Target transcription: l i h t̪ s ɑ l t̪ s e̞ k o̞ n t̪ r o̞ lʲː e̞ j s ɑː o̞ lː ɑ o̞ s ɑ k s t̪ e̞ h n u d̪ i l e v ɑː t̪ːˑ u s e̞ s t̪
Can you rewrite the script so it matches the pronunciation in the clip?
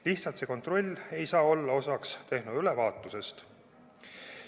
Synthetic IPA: l i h t̪ s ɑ l t̪ s e̞ k o̞ n t̪ r o̞ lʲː e̞ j s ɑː o̞ lː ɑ o̞ s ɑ k s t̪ e̞ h n u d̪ y l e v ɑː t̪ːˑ u s e̞ s t̪

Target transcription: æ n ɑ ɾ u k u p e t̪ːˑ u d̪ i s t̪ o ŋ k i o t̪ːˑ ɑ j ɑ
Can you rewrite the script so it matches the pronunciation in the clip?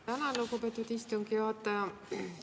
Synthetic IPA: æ n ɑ l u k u p e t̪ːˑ u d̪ i s t̪ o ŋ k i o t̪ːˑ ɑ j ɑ

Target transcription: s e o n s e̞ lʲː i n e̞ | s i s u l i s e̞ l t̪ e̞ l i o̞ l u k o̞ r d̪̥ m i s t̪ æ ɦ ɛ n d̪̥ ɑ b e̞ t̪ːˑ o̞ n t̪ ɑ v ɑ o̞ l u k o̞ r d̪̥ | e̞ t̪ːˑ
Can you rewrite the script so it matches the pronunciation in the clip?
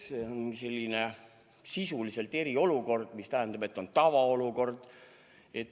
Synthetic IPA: s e o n s e̞ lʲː i n e̞ | s i s u l i s e̞ l t̪ e̞ ɾ i o̞ l u k o̞ r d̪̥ m i s t̪ æ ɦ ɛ n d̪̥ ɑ b e̞ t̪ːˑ o̞ n t̪ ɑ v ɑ o̞ l u k o̞ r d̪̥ | e̞ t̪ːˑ

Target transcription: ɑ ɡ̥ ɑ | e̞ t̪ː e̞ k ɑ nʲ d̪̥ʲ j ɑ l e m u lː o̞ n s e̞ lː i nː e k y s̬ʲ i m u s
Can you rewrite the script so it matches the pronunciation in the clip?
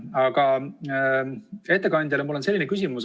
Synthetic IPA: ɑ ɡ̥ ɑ | e̞ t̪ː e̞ k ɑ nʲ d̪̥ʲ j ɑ l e m u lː o̞ n s e̞ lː i n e k y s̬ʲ i m u s

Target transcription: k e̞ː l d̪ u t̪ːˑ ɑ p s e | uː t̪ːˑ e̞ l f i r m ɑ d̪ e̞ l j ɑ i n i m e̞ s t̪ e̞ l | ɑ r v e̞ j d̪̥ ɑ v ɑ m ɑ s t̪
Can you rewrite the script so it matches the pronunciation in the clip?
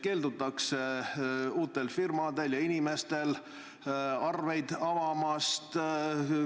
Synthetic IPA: k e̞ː l d̪ u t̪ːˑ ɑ k s e | uː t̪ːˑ e̞ l f i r m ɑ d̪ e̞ l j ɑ i n i m e̞ s t̪ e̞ l | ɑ r v e̞ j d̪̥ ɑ v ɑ m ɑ s t̪

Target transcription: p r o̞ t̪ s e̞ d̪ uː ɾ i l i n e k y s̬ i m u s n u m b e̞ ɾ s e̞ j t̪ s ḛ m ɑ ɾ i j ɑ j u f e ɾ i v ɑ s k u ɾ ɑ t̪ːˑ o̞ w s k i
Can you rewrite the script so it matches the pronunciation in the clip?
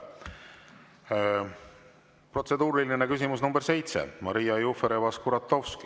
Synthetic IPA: p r o̞ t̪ s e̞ d̪ uː ɾ i l i n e k y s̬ i m u s n u m b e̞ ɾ s e̞ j t̪ s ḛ m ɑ ɾ i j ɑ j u f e ɾ e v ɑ s k u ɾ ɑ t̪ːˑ o̞ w s k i

